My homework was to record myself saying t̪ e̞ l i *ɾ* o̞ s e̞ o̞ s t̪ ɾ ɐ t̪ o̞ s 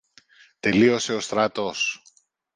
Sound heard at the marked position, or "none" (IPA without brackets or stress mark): none